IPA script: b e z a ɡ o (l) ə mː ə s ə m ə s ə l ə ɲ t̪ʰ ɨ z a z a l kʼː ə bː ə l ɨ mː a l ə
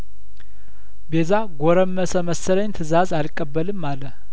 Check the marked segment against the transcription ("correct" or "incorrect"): incorrect